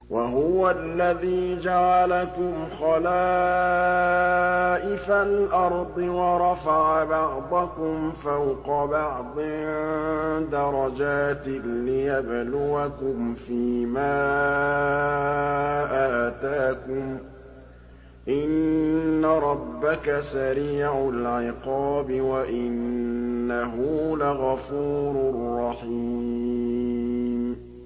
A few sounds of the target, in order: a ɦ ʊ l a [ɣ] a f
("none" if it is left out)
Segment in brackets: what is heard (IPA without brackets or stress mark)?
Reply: ɣ